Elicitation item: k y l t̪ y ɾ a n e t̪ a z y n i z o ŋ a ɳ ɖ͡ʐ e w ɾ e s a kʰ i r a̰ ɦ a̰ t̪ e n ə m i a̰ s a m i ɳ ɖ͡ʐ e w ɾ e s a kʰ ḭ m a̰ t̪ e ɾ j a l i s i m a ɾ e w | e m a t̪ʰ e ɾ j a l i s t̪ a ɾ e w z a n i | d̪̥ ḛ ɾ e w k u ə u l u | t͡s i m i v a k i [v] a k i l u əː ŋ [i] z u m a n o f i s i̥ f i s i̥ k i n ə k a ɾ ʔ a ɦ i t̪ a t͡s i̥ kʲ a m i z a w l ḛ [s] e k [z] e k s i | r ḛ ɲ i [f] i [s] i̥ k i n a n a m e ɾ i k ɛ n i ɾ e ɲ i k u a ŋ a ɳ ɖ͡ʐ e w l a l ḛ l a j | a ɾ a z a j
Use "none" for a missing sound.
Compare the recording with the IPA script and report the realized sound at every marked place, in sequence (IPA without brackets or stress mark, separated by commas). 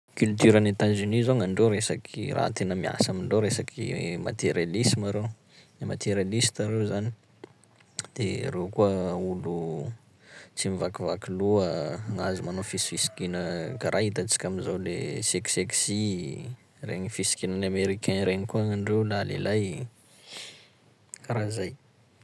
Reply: v, a, s, s, f, s